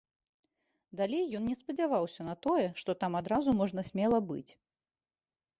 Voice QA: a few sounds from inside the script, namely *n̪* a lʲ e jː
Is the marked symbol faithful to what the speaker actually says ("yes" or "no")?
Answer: no